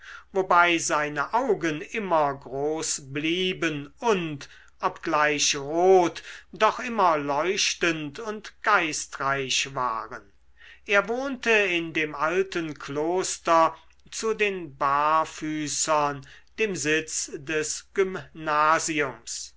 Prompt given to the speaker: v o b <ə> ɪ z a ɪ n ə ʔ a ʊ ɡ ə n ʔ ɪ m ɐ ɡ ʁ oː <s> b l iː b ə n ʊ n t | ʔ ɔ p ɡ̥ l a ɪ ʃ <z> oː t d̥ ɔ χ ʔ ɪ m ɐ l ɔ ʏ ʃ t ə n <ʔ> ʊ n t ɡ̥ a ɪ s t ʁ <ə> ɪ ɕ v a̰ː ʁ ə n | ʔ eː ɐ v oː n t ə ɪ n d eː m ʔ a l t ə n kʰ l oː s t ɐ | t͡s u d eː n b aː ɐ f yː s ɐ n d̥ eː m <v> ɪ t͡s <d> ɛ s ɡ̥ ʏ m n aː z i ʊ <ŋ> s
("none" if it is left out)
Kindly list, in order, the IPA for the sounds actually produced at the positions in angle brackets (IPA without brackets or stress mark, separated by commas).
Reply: a, s, ʁ, t, a, z, d, m